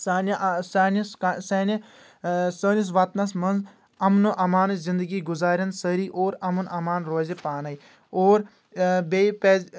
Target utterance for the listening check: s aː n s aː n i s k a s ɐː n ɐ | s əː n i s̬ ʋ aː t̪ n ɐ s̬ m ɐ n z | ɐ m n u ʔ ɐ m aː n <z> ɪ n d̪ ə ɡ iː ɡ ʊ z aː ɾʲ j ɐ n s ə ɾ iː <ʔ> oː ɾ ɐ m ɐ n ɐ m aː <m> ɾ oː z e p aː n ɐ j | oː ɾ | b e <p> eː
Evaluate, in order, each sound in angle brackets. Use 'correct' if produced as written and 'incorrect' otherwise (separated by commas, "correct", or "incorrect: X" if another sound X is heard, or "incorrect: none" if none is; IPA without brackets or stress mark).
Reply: correct, correct, incorrect: n, correct